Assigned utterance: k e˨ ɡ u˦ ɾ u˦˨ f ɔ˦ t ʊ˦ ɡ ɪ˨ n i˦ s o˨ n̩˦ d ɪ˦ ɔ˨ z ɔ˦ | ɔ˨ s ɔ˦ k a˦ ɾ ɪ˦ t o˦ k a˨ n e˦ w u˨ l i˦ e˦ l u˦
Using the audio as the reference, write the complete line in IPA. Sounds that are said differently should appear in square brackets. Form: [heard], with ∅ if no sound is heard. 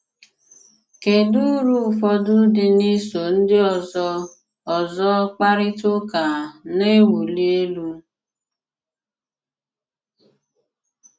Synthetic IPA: k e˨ [d] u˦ ɾ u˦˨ f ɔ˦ [d] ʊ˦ [d] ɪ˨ n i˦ s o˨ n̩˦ d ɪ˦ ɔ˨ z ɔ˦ | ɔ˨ [z] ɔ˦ [k͡p] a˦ ɾ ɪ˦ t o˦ k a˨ n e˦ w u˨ l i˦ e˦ l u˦

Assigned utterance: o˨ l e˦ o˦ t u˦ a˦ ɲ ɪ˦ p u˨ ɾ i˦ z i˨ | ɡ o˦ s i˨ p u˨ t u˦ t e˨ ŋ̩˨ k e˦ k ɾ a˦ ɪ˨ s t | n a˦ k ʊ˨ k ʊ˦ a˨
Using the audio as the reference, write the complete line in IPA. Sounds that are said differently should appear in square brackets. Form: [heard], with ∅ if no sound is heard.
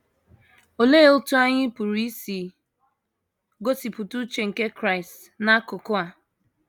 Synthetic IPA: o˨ l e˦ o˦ t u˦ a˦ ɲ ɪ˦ p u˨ ɾ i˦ [s] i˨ | ɡ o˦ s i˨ p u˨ t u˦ [t͡ʃ] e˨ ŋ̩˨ k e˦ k ɾ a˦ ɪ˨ s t | n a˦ k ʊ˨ k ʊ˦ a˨

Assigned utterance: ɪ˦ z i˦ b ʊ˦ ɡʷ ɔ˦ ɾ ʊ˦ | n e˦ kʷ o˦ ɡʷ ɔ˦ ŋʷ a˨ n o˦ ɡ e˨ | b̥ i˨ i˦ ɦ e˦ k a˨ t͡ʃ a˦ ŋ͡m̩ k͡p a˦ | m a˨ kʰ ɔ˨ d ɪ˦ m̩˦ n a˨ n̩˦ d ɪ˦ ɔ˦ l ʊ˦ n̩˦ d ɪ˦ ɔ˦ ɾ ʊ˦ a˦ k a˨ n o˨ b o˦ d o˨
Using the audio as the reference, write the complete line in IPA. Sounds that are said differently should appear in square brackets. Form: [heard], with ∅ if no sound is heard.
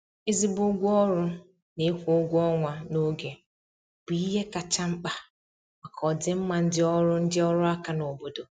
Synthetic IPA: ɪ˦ z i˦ b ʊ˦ ɡʷ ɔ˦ ɾ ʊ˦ | n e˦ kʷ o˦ ɡʷ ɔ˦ ŋʷ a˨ n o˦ ɡ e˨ | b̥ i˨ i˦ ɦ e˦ k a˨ t͡ʃ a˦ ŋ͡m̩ k͡p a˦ | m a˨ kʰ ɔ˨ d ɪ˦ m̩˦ [m] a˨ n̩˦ d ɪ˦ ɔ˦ [ɾ] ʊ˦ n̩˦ d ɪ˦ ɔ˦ ɾ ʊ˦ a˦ k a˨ n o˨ b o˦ d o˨

